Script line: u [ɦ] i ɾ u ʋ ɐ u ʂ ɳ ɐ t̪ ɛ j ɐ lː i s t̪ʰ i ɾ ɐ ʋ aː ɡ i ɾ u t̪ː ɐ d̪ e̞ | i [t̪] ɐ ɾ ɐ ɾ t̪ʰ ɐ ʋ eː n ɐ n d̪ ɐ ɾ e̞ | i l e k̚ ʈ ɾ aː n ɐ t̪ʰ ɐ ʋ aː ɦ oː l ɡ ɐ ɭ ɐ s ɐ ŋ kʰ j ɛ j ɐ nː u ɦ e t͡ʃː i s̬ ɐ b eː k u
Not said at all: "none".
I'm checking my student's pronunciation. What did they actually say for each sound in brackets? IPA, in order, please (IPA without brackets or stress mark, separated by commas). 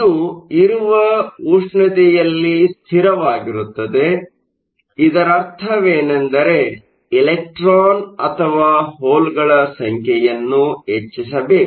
none, d̪